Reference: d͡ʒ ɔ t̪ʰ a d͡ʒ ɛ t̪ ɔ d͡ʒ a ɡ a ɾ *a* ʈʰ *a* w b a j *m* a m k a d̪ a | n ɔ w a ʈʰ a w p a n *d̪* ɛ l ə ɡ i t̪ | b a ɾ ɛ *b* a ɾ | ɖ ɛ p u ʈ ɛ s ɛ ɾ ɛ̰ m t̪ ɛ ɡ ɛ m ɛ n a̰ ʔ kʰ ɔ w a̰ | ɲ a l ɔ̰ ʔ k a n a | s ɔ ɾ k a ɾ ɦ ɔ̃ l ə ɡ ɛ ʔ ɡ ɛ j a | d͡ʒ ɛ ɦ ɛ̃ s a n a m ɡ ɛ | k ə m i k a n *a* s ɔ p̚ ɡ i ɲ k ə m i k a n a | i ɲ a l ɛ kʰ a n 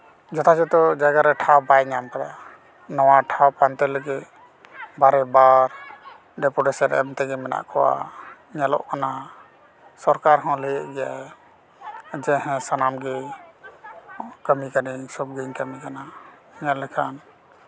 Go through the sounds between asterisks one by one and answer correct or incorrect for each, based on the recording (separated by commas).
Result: incorrect, correct, incorrect, incorrect, correct, incorrect